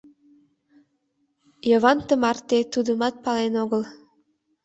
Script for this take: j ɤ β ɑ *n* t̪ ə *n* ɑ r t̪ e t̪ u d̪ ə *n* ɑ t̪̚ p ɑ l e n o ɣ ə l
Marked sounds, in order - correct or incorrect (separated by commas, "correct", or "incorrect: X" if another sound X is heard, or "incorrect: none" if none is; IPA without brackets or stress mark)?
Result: correct, incorrect: m, incorrect: m